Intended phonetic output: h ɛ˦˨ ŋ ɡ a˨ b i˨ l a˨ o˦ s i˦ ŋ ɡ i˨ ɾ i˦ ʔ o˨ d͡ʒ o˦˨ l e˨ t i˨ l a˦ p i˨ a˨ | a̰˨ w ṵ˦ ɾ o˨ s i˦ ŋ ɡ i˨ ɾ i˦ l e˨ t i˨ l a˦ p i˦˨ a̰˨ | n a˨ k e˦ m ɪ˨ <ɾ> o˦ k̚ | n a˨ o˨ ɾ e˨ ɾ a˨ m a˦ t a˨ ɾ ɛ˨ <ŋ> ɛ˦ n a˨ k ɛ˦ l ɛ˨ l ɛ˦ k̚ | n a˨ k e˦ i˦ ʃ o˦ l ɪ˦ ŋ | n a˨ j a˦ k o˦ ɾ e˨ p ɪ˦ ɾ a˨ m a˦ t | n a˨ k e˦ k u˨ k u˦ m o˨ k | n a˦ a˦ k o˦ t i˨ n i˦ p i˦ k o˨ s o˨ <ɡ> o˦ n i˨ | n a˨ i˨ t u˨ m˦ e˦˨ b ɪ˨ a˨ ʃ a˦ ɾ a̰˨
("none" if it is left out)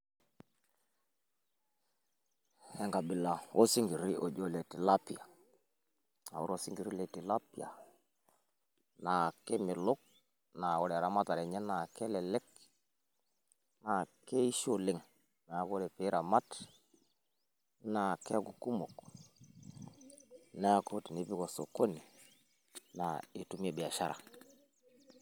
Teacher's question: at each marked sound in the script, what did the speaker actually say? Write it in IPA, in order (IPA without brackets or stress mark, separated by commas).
l, ɲ, k